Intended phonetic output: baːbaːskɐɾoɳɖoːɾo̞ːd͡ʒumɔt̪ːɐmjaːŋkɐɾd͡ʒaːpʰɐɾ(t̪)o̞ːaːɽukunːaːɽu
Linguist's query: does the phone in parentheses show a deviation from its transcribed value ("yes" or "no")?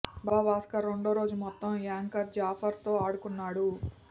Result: no